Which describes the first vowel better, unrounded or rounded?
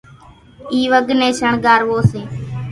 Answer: unrounded